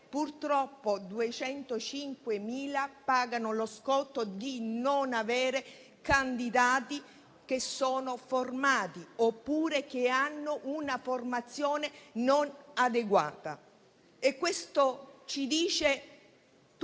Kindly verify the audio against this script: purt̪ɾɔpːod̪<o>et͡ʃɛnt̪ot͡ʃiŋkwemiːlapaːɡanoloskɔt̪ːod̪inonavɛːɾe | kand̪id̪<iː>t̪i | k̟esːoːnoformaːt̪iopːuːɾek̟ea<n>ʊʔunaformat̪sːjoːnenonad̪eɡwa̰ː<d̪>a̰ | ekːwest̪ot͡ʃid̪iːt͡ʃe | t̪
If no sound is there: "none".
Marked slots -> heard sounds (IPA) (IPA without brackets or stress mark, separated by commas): u, aː, nː, t̪